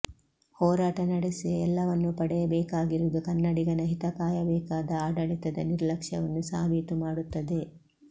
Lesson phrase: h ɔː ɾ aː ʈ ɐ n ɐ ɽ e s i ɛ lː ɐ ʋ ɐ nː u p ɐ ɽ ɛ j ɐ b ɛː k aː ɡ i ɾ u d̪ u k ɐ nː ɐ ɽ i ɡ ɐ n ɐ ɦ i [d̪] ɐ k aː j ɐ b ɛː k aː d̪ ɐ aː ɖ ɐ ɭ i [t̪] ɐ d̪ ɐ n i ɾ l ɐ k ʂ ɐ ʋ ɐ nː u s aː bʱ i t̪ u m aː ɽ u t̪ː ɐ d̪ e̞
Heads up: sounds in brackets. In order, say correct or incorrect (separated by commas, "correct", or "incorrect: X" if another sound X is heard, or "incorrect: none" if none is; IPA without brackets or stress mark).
incorrect: t̪, correct